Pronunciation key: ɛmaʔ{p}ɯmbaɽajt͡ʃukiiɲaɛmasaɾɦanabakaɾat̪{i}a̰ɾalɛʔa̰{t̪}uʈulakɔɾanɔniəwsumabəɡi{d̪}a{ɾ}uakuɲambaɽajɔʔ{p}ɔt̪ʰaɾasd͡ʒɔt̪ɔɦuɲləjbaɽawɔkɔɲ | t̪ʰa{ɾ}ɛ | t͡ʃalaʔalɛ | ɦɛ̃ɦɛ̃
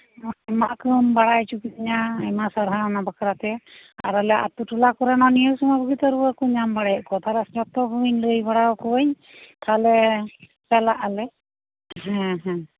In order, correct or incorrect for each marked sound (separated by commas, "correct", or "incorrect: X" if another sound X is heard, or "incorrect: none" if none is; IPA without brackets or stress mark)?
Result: incorrect: k, incorrect: ɛ, correct, incorrect: t̪, correct, incorrect: k, incorrect: l